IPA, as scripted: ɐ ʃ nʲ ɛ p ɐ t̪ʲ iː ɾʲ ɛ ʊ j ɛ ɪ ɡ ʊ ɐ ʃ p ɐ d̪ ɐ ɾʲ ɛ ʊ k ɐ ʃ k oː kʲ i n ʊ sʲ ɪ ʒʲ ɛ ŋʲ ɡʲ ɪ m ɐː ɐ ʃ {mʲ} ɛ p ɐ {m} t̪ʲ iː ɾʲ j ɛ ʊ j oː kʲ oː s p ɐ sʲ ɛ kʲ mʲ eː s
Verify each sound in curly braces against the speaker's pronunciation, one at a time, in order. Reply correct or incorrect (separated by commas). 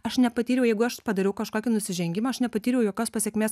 incorrect, incorrect